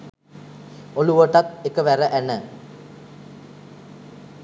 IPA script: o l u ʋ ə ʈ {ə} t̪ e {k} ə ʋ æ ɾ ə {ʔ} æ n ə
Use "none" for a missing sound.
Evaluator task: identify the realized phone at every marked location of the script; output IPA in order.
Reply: a, k, ʔ

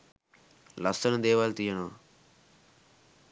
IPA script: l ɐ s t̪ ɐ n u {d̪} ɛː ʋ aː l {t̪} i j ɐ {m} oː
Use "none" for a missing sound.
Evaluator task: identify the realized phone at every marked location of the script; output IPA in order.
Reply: d̪, t̪, n

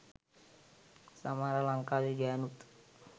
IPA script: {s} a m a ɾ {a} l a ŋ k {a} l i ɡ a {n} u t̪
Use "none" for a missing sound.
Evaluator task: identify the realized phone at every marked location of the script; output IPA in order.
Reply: s, a, a, n

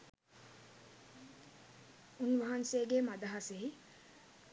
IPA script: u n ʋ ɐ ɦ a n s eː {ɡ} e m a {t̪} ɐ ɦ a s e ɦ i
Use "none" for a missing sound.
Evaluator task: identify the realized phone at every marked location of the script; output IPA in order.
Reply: ɡ, d̪

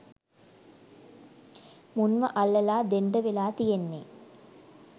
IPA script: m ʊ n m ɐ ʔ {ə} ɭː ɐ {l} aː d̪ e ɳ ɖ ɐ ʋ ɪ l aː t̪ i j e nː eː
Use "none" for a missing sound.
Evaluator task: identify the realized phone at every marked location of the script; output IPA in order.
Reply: ɐ, l

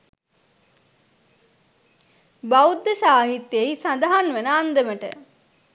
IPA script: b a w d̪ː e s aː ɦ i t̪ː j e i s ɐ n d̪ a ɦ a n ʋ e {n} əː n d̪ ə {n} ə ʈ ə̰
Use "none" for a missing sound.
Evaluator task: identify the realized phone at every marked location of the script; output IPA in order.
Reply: n, m

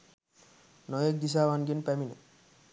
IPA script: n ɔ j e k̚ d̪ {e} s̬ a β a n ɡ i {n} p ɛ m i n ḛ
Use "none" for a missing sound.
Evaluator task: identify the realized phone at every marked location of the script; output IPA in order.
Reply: i, n

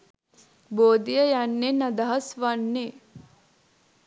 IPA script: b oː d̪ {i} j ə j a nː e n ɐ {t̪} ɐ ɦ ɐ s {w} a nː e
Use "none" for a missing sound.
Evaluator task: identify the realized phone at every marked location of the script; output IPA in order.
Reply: i, d̪, ʋ

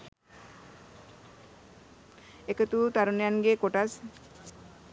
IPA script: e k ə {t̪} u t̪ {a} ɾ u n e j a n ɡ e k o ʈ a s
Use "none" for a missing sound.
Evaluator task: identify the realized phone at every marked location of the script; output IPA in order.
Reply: t̪, a

